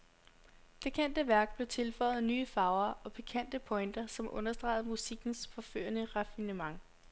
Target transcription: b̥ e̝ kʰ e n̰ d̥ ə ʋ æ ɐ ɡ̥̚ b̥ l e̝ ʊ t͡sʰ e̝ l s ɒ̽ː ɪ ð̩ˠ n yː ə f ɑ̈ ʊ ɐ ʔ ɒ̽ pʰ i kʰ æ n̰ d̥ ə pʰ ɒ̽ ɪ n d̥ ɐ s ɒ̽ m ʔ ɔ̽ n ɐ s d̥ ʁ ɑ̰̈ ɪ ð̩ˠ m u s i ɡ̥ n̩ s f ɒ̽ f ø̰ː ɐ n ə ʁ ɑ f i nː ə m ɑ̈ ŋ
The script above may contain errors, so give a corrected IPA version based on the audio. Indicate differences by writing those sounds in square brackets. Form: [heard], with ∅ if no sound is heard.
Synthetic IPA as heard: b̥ e̝ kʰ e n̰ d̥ ə ʋ æ ɐ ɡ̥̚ b̥ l e̝ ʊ t͡sʰ e̝ l [f] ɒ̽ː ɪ ð̩ˠ n yː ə f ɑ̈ ʊ ɐ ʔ ɒ̽ pʰ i kʰ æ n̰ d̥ ə pʰ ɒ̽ ɪ n d̥ ɐ s ɒ̽ m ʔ ɔ̽ n ɐ s d̥ ʁ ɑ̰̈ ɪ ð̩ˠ m u s i ɡ̥ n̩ s f ɒ̽ f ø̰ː ɐ n ə ʁ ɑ f i [n] ə m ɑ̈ ŋ